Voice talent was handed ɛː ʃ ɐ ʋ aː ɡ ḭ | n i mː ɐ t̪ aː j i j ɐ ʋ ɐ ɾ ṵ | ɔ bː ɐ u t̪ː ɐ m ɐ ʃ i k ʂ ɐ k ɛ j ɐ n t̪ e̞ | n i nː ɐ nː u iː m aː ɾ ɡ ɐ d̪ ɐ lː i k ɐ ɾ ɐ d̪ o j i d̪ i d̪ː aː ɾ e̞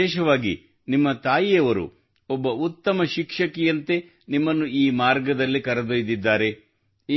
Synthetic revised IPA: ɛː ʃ ɐ ʋ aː ɡ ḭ | n i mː ɐ t̪ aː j i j ɐ ʋ ɐ ɾ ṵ | ɔ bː ɐ u t̪ː ɐ m ɐ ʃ i k ʂ ɐ k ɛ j ɐ n t̪ e̞ | n i mː ɐ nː u iː m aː ɾ ɡ ɐ d̪ ɐ lː i k ɐ ɾ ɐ d̪ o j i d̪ i d̪ː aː ɾ e̞